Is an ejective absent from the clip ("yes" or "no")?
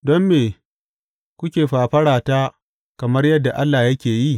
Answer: yes